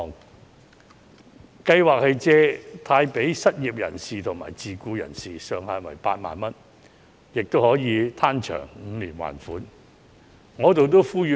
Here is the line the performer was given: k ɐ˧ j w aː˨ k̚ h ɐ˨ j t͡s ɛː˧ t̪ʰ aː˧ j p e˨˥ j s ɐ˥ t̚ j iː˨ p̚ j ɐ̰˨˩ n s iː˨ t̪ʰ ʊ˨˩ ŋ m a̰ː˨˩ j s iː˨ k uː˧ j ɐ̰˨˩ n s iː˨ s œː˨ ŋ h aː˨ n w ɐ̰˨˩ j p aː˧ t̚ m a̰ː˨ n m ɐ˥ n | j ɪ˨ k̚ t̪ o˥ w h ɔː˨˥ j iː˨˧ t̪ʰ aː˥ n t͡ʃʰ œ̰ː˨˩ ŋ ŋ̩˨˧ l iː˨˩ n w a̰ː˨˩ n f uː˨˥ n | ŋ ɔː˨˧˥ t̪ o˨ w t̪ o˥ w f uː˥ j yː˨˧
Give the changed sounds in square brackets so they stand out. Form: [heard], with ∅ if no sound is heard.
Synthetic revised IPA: k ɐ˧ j w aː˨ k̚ h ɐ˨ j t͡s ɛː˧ t̪ʰ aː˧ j p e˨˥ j s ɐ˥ t̚ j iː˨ p̚ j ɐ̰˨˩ n s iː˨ t̪ʰ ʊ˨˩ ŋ m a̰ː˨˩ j [t͡s] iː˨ k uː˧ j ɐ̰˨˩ n s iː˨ s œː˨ ŋ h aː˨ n w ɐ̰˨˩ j p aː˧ t̚ m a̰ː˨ n m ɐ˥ n | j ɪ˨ k̚ t̪ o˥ w h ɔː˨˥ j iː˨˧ t̪ʰ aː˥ n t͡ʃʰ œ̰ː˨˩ ŋ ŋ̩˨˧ l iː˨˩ n w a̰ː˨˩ n f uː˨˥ n | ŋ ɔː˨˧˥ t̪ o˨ w t̪ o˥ w f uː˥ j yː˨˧